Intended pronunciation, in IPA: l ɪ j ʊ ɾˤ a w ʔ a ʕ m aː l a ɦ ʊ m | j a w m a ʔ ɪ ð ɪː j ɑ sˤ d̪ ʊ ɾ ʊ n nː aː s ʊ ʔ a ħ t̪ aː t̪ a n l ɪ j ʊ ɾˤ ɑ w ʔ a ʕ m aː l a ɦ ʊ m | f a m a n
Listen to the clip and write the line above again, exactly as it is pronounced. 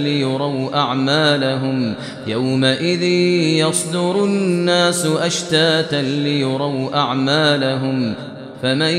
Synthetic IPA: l ɪ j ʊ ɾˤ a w ʔ a ʕ m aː l a ɦ ʊ m | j a w m a ʔ ɪ ð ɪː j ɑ sˤ d̪ ʊ ɾ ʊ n nː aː s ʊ ʔ a ʃ t̪ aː t̪ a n l ɪ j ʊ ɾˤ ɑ w ʔ a ʕ m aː l a ɦ ʊ m | f a m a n